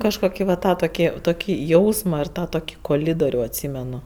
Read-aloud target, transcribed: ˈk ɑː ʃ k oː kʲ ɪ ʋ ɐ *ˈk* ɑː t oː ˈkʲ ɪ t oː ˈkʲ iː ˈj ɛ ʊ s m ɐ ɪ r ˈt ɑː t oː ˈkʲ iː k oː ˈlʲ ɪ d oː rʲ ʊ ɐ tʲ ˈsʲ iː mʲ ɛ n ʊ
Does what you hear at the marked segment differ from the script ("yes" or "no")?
yes